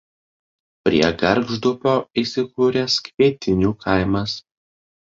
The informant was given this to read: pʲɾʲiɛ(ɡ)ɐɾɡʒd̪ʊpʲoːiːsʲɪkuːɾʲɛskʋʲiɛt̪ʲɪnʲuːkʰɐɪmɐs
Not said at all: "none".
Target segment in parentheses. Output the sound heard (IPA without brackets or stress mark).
ɡ